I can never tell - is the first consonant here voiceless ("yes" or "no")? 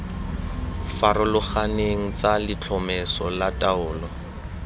yes